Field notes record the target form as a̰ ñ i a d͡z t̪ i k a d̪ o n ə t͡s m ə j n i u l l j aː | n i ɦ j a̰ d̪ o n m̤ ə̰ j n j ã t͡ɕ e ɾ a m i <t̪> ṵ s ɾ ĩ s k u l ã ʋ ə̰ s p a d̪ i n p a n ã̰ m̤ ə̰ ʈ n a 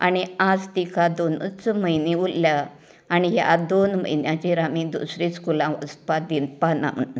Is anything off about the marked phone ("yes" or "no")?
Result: yes